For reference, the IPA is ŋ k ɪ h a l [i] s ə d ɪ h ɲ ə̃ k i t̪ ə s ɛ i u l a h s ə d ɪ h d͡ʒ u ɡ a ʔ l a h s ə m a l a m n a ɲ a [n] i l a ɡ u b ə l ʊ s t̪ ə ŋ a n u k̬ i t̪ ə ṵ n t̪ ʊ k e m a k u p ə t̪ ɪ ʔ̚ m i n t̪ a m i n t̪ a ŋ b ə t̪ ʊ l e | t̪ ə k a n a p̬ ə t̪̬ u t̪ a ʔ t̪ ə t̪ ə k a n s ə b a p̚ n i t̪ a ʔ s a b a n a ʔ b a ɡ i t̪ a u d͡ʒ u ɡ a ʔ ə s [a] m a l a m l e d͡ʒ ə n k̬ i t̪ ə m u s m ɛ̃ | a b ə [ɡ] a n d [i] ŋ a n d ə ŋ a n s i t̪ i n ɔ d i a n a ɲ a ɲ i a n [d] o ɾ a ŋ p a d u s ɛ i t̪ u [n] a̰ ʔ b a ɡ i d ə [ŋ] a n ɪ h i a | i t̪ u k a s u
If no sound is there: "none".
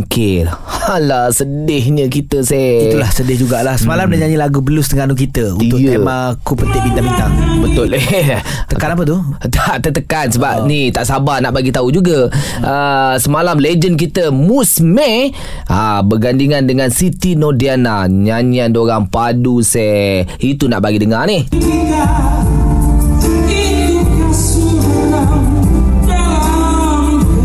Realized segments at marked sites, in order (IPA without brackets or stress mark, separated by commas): a, ɲ, ə, ɡ, i, d, n, ŋ